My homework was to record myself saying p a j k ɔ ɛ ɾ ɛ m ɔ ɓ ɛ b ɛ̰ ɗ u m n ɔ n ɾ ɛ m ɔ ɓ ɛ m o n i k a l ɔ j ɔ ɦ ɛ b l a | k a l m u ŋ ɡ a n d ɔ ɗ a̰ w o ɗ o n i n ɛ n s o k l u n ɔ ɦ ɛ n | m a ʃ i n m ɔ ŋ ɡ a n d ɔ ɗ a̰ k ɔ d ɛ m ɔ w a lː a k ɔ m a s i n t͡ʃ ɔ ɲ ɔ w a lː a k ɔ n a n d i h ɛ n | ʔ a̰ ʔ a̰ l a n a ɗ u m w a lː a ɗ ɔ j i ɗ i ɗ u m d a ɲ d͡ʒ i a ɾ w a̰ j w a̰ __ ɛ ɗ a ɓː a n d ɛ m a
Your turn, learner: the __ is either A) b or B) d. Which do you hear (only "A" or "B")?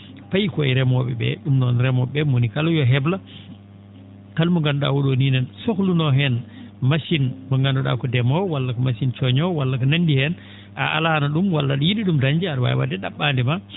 B